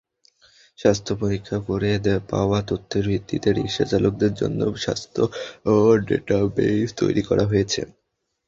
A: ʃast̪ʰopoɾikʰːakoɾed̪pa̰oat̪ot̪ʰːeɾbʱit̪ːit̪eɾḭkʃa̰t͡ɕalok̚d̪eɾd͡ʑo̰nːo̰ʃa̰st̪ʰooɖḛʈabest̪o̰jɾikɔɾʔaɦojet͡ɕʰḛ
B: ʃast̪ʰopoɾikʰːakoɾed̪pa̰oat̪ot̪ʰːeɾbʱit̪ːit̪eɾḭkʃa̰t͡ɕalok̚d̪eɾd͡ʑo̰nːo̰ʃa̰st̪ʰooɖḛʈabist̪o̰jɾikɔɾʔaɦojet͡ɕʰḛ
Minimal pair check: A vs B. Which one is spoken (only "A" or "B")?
A